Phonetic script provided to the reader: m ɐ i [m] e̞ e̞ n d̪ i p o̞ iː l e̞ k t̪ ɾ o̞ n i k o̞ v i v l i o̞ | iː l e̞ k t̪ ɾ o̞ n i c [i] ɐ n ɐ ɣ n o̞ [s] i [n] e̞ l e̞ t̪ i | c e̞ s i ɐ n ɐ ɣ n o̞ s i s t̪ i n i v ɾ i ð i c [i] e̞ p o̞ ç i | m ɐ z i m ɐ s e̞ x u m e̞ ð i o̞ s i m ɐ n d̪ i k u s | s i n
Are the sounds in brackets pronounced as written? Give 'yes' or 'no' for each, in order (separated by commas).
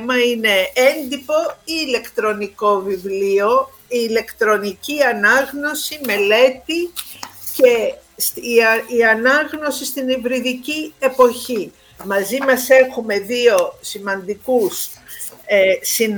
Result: no, yes, yes, no, yes